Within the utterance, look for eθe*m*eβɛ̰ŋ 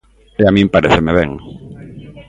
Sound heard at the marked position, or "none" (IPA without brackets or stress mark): m